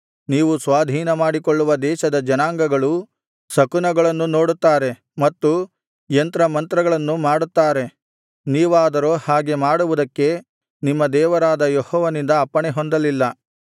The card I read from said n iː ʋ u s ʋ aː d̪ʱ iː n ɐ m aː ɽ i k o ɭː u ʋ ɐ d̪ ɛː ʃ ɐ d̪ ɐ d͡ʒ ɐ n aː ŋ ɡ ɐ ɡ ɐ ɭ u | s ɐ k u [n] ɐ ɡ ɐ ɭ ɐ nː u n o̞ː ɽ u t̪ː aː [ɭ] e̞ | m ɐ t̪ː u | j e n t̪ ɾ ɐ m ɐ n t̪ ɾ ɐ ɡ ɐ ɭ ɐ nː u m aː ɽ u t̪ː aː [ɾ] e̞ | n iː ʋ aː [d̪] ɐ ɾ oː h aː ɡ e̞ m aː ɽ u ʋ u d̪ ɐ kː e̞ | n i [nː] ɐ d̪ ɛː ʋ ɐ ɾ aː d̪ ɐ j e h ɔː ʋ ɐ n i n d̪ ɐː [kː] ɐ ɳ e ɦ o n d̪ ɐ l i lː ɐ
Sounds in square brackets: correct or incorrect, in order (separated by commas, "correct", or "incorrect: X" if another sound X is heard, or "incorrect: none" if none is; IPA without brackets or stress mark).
correct, incorrect: ɾ, correct, correct, incorrect: mː, incorrect: pː